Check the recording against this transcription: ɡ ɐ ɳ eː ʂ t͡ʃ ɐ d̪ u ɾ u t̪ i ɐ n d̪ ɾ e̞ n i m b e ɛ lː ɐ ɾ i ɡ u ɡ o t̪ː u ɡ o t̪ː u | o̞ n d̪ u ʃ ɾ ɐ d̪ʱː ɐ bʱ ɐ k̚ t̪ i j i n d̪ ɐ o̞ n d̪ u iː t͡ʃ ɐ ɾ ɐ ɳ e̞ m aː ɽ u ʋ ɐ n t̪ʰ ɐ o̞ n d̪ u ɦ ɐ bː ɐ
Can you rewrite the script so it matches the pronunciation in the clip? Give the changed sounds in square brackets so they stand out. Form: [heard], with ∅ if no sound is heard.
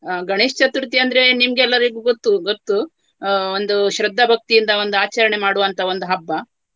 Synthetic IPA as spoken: ɡ ɐ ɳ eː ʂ t͡ʃ ɐ [t̪] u ɾ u t̪ i ɐ n d̪ ɾ e̞ n i m [ɡ] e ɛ lː ɐ ɾ i ɡ u ɡ o t̪ː u ɡ o t̪ː u | o̞ n d̪ u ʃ ɾ ɐ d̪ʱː ɐ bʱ ɐ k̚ t̪ i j i n d̪ ɐ o̞ n d̪ u [aː] t͡ʃ ɐ ɾ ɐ ɳ e̞ m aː ɽ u ʋ ɐ n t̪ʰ ɐ o̞ n d̪ u ɦ ɐ bː ɐ